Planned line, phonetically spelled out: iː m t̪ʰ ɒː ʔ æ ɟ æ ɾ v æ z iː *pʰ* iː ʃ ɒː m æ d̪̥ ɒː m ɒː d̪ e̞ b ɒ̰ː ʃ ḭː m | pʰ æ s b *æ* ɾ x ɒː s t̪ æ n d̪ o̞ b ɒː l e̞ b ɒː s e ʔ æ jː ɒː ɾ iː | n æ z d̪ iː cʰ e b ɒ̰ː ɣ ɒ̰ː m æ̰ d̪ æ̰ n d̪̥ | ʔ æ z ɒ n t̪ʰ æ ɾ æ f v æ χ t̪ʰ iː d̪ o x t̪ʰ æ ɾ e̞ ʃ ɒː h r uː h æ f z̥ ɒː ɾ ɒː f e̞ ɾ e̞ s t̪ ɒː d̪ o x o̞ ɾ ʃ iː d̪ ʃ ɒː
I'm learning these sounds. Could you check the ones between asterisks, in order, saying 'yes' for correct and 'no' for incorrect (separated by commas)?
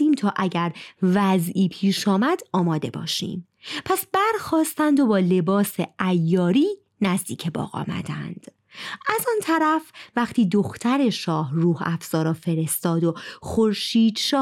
yes, yes